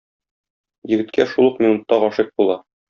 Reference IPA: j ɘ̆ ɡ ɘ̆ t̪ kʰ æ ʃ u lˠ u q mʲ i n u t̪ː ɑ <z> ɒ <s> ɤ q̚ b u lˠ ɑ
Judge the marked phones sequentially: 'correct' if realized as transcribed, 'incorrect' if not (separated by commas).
incorrect, incorrect